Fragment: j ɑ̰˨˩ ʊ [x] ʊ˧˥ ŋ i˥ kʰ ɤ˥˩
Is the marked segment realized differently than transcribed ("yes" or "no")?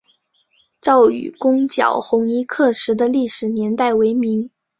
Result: no